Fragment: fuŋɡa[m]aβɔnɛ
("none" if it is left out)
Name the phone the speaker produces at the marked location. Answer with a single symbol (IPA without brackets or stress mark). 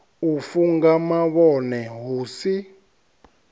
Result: m